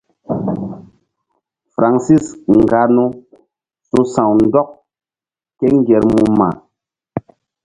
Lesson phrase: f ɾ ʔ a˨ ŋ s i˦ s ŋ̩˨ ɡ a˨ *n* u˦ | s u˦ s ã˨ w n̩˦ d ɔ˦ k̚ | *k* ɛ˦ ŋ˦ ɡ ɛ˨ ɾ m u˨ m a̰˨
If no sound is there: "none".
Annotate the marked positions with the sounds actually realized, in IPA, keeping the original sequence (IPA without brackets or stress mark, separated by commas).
n, k